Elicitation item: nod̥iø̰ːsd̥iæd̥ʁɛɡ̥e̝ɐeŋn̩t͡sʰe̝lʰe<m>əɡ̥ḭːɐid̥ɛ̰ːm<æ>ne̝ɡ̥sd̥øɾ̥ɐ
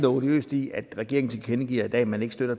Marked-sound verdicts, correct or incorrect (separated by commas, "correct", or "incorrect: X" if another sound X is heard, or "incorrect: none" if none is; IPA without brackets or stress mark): incorrect: n, correct